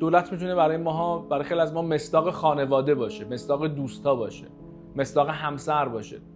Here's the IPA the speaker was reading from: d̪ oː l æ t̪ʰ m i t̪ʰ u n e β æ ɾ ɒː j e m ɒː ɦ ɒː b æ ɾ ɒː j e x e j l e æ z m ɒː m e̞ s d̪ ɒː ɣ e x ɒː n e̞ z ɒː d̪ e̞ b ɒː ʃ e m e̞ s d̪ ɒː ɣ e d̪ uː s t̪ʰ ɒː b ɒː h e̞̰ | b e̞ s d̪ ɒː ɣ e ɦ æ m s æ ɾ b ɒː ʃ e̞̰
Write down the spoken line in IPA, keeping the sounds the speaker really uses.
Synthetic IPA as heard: d̪ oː l æ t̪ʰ m i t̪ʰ u n e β æ ɾ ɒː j e m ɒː ɦ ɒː b æ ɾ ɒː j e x e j l i æ z m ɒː m e̞ s d̪ ɒː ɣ e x ɒː n e̞ v ɒː d̪ e̞ b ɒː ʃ e m e̞ s d̪ ɒː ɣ e d̪ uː s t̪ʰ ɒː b ɒː ʃ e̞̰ | m e̞ s d̪ ɒː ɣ e ɦ æ m s æ ɾ b ɒː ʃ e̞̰